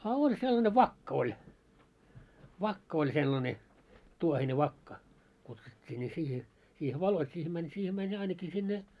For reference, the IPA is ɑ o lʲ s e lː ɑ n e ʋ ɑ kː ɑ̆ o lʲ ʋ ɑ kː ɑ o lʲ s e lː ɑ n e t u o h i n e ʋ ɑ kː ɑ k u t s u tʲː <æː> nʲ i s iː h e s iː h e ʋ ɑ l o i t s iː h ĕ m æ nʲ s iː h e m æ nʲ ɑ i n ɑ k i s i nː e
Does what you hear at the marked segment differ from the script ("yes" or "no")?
yes